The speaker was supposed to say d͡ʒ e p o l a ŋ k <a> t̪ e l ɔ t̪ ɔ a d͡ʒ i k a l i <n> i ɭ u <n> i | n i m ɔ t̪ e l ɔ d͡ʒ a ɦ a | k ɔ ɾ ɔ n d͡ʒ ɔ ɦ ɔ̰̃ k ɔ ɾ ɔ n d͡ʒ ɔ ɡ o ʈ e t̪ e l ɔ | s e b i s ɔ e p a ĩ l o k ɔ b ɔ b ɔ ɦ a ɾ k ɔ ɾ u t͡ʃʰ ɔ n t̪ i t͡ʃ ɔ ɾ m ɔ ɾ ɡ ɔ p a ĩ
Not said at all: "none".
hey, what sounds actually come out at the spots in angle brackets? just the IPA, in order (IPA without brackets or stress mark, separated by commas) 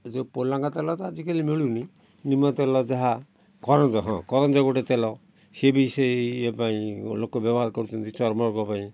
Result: a, m, n